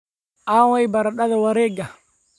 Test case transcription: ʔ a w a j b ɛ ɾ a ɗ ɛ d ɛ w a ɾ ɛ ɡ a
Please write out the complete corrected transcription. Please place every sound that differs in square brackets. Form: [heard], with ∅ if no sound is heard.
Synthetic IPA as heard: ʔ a w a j b [a] ɾ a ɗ [a] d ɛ w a ɾ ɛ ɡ a